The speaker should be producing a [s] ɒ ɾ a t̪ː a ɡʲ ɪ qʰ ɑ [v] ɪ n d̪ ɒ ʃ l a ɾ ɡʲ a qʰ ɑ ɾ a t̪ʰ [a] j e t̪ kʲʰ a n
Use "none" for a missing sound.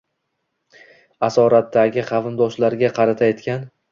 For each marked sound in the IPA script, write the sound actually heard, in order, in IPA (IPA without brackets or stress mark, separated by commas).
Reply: s, v, a